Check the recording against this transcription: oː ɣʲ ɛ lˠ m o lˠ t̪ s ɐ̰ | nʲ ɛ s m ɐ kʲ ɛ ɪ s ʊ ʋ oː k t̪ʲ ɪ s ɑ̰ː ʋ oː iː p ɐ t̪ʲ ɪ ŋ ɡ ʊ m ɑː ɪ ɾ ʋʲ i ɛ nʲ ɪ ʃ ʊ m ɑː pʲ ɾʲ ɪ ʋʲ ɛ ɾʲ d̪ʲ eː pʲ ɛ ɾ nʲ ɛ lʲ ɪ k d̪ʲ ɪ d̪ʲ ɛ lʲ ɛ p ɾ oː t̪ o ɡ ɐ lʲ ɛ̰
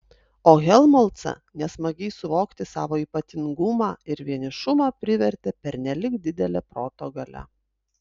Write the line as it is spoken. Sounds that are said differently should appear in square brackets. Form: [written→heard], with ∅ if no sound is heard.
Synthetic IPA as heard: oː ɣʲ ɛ lˠ m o lˠ t̪ s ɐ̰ | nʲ ɛ s m ɐ [kʲ→ɡʲ] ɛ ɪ s ʊ ʋ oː k t̪ʲ ɪ s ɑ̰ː ʋ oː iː p ɐ t̪ʲ ɪ ŋ ɡ ʊ m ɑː ɪ ɾ ʋʲ i ɛ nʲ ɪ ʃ ʊ m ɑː pʲ ɾʲ ɪ ʋʲ ɛ ɾʲ [d̪ʲ→t̪ʲ] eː pʲ ɛ ɾ nʲ ɛ lʲ ɪ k d̪ʲ ɪ d̪ʲ ɛ lʲ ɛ p ɾ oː t̪ o ɡ ɐ lʲ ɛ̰